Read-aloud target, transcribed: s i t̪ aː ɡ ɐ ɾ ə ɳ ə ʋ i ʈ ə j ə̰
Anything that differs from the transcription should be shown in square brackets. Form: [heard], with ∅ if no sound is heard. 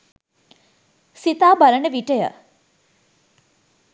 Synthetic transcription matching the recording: s i t̪ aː [b] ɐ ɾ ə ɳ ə ʋ i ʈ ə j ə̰